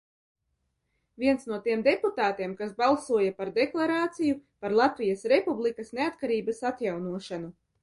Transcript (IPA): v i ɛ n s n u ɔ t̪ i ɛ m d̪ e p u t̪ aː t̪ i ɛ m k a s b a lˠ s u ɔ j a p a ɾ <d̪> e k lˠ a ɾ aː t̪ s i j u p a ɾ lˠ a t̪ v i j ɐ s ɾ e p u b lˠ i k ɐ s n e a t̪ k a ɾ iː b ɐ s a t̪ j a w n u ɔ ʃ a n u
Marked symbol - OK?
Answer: yes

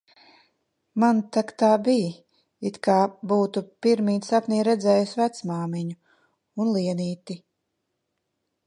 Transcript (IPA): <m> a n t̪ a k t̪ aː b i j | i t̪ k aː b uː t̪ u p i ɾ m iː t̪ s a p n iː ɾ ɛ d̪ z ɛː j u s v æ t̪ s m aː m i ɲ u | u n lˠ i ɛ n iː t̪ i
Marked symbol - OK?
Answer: yes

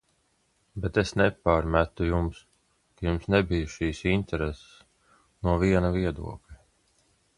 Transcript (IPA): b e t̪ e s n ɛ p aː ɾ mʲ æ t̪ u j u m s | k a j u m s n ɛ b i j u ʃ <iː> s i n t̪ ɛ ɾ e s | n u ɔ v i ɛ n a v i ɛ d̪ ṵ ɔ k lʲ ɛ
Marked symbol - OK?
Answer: yes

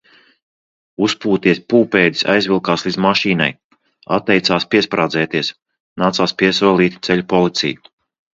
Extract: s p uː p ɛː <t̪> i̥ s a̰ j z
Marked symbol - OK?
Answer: no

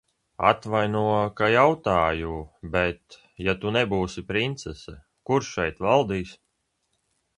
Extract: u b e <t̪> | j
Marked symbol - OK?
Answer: yes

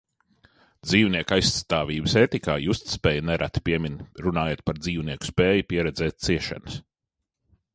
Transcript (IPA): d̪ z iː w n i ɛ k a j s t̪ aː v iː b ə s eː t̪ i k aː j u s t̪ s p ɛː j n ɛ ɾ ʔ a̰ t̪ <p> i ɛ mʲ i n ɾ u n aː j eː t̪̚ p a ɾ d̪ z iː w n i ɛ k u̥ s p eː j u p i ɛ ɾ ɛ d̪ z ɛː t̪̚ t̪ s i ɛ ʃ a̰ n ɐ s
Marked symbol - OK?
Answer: yes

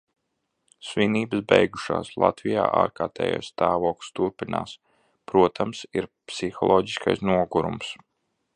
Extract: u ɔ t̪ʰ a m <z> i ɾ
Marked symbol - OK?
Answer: no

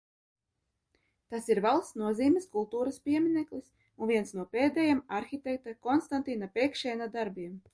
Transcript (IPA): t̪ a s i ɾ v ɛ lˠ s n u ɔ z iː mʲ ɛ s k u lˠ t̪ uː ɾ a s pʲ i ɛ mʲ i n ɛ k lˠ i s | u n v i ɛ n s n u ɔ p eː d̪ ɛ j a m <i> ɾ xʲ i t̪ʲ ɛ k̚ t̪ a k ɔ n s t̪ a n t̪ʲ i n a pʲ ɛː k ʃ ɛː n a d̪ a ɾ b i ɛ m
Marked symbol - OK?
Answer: no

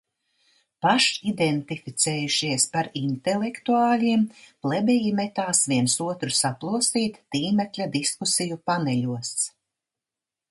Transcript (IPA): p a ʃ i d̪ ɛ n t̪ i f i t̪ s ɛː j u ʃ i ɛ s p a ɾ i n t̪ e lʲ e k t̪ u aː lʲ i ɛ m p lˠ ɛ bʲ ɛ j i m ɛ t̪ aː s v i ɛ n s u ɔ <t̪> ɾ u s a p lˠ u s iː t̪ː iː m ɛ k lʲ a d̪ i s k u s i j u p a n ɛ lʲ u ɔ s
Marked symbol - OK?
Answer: yes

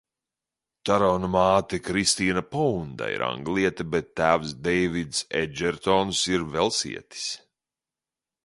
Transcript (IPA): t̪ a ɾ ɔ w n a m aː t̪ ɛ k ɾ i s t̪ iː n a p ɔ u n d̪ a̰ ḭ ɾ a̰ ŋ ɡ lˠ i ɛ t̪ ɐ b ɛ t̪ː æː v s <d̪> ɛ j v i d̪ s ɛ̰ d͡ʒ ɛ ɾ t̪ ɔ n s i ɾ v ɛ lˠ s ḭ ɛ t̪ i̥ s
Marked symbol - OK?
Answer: yes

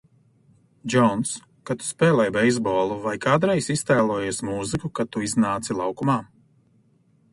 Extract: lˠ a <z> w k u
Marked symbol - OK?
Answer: no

